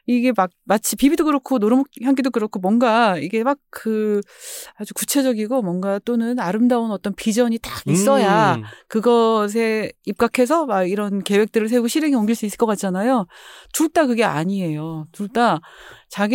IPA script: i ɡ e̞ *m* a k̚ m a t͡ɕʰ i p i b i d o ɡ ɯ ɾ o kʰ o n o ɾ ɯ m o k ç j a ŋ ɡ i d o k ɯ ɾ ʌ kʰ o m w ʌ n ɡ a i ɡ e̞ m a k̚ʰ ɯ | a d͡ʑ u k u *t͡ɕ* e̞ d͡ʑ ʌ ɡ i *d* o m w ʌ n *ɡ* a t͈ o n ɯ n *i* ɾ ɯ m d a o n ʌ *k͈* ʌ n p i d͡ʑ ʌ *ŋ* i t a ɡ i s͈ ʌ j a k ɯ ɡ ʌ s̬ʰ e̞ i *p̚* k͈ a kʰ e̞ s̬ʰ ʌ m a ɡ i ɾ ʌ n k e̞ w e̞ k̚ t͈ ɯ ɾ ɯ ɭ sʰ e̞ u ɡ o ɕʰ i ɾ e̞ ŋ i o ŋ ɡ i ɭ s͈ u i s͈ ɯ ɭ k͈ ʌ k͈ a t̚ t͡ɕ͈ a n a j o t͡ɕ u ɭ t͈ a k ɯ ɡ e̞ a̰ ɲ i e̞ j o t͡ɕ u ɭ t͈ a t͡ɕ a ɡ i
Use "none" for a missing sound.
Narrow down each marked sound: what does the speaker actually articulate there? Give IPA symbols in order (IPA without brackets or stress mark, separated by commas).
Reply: m, t͡ɕʰ, ɡ, ɡ, a, t͈, ɲ, p̚